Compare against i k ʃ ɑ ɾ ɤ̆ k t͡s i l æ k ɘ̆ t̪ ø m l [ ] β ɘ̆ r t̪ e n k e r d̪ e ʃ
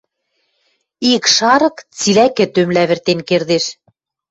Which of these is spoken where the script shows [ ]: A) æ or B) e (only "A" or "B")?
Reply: A